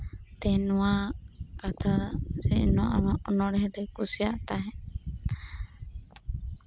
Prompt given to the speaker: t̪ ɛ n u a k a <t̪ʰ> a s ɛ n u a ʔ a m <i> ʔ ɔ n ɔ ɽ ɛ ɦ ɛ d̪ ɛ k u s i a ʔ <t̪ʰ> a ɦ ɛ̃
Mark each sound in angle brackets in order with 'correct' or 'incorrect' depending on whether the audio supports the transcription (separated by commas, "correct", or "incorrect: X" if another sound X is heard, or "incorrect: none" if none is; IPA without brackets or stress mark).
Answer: correct, incorrect: a, incorrect: t̪